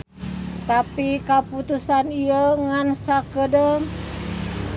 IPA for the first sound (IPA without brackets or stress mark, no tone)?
t̪